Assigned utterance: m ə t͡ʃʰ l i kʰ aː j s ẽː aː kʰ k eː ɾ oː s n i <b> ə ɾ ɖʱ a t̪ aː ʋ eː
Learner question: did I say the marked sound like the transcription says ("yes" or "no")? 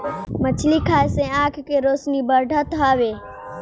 yes